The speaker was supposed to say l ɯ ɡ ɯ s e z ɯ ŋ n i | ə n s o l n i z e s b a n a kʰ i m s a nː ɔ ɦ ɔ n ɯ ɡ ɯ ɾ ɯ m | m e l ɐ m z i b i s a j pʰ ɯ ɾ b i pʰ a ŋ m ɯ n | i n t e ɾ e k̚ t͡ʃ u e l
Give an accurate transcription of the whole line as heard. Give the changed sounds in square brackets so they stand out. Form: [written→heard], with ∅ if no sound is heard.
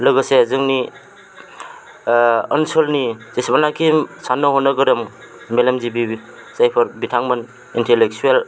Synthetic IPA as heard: l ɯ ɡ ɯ s e z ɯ ŋ n i | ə n s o l n i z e s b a n a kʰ i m s a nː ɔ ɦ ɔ n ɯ ɡ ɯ ɾ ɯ m | m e l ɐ m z i b i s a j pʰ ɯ ɾ b i [pʰ→tʰ] a ŋ m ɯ n | i n t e [ɾ→l] e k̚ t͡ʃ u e l